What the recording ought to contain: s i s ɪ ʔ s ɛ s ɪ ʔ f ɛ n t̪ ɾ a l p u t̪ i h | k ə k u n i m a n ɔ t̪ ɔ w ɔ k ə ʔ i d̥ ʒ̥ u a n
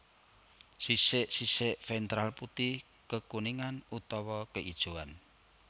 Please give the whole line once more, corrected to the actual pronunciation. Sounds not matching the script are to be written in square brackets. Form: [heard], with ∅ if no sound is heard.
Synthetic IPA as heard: s i s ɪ ʔ s [i] s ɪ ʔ f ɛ n t̪ ɾ a l p u t̪ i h | k ə k u n i [ŋ] a n [u] t̪ ɔ w ɔ k ə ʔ i d̥ ʒ̥ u a n